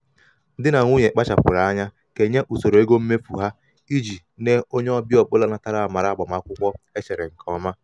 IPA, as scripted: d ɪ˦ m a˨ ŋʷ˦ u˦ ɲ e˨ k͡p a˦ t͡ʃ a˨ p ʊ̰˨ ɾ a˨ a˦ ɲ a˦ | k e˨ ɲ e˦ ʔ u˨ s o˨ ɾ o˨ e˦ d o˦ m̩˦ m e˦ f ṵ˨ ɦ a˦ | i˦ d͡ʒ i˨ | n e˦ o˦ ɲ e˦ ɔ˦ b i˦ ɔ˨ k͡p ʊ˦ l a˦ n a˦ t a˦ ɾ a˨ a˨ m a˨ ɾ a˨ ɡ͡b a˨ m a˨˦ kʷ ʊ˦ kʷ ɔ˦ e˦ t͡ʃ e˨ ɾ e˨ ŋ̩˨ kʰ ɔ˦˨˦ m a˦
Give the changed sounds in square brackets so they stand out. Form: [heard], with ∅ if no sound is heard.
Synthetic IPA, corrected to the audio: d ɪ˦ [n] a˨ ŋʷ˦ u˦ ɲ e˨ k͡p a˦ t͡ʃ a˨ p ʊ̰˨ ɾ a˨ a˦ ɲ a˦ | k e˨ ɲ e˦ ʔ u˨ s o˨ ɾ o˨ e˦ [ɡ] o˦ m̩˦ m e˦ f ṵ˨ ɦ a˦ | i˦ d͡ʒ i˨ | n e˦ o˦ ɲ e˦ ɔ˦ b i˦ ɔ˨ k͡p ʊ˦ l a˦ n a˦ t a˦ ɾ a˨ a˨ m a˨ ɾ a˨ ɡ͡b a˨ m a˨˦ kʷ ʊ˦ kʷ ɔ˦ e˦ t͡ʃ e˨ ɾ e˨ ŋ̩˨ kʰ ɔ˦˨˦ m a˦